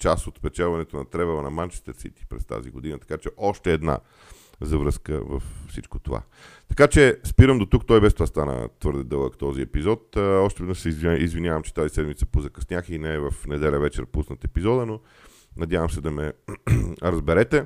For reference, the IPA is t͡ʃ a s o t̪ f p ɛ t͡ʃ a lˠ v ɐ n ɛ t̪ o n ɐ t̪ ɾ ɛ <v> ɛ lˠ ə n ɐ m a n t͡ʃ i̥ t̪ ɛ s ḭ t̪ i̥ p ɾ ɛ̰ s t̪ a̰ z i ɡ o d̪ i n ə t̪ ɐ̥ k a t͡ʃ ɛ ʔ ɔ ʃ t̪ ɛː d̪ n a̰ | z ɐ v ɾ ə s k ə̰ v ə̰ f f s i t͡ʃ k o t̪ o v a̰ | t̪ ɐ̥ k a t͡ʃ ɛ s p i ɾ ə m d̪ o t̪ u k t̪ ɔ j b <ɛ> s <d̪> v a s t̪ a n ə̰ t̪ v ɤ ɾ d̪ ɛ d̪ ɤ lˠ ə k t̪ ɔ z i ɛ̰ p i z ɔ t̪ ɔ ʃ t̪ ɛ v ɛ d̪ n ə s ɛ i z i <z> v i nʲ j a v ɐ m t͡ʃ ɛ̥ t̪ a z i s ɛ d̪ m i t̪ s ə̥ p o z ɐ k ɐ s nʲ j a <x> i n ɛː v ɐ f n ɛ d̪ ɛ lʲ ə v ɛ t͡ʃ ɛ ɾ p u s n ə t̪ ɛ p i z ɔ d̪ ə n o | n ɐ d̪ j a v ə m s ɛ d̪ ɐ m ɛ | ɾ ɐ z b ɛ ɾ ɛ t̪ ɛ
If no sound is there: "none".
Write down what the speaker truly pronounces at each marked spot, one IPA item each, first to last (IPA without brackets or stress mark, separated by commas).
v, ɛ, t̪, z, x